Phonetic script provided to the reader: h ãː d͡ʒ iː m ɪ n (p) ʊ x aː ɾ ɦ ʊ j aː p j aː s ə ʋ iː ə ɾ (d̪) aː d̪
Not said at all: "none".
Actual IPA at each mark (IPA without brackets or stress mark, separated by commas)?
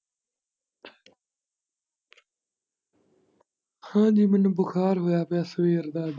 b, d̪